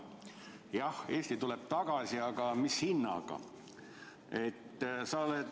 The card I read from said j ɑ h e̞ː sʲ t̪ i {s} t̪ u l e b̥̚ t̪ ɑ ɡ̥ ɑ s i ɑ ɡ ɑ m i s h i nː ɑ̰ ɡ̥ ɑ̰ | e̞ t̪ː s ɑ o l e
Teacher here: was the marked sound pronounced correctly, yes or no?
no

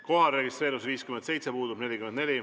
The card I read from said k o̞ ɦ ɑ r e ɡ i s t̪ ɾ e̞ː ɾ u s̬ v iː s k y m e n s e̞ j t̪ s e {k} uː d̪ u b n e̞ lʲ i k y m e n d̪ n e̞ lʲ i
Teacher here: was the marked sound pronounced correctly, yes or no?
no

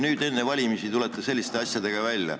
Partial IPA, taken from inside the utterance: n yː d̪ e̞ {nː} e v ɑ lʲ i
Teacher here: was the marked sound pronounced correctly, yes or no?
yes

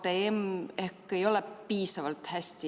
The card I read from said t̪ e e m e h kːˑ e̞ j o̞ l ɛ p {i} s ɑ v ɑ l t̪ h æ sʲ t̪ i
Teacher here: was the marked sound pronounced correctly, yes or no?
no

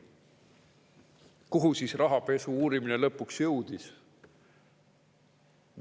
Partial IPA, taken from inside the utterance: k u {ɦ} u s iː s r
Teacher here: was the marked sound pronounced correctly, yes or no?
yes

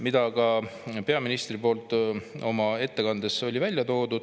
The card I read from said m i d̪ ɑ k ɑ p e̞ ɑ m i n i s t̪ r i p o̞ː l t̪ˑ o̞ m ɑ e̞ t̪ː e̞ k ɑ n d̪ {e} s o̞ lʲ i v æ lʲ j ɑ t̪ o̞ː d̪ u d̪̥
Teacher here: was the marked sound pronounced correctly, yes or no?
yes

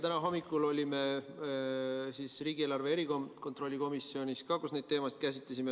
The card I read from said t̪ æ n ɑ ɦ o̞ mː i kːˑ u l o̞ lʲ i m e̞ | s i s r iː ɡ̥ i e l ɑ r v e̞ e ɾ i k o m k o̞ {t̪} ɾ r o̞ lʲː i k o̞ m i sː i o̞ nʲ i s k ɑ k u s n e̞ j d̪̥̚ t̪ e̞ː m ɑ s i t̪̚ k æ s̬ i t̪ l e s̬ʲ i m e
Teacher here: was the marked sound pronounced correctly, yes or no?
yes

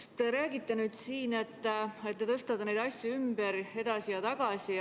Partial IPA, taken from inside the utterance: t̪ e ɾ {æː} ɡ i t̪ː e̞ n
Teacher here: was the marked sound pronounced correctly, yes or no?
yes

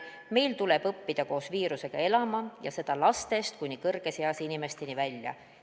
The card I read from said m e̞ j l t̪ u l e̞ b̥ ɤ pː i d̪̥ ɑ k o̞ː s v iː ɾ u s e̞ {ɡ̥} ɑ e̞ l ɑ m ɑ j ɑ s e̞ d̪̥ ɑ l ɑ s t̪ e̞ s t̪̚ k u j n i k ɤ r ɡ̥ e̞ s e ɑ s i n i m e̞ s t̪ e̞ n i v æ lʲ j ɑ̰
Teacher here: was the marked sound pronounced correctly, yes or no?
yes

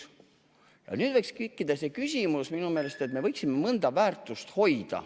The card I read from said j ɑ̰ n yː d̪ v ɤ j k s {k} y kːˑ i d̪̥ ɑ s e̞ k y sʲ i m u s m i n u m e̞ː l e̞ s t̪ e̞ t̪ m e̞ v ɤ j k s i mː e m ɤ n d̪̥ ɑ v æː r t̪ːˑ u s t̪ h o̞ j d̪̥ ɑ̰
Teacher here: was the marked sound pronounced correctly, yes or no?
yes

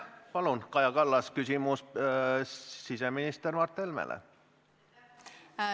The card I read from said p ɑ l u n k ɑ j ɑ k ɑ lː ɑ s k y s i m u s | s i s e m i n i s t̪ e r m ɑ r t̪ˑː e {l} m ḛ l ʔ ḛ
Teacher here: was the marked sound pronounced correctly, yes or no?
yes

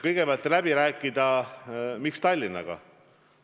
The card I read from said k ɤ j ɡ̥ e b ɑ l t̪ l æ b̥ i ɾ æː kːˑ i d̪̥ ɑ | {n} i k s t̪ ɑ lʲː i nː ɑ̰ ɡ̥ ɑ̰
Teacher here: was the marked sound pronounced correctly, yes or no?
no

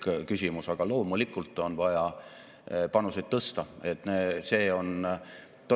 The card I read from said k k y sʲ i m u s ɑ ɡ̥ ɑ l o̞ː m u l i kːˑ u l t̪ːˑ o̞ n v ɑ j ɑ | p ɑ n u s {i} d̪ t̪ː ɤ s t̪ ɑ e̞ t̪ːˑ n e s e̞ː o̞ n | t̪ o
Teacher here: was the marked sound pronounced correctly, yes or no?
no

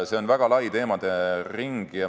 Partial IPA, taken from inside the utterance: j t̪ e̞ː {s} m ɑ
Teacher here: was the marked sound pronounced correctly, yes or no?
no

